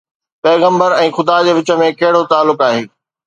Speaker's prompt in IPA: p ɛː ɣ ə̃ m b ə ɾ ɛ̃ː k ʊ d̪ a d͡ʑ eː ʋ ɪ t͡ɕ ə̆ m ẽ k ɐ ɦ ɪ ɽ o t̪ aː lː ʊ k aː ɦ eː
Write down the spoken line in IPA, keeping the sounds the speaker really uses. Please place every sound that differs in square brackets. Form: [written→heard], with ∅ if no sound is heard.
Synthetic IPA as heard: p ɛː ɣ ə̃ m b ə ɾ ɛ̃ː [k→x] ʊ d̪ a d͡ʑ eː ʋ ɪ t͡ɕ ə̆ m ẽ k ɐ ɦ ɪ ɽ o t̪ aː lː ʊ k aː ɦ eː